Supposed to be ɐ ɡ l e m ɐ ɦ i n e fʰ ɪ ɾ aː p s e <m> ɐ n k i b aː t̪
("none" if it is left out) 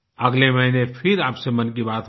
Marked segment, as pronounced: m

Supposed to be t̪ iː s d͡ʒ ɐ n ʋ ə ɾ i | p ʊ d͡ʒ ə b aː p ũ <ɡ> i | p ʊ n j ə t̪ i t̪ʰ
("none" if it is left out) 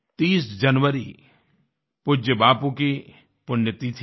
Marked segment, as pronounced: k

